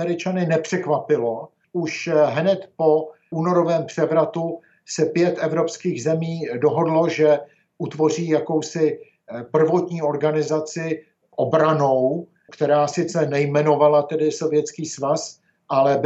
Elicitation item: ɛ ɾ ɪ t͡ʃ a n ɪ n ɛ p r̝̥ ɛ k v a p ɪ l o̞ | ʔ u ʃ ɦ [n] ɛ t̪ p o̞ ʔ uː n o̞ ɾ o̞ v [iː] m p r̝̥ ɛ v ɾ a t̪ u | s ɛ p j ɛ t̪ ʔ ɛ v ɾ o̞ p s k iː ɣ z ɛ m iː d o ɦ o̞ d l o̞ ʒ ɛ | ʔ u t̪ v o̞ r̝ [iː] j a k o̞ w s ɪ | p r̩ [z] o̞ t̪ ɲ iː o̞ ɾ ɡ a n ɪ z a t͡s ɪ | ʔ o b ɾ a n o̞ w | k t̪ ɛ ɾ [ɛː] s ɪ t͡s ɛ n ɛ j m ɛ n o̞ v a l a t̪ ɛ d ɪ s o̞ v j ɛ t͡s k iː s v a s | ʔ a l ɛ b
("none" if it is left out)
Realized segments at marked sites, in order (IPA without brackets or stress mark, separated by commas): n, ɛː, iː, v, aː